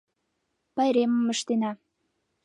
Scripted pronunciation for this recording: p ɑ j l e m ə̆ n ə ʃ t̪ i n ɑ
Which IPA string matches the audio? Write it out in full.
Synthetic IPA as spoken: p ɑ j ɾ e m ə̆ m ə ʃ t̪ e n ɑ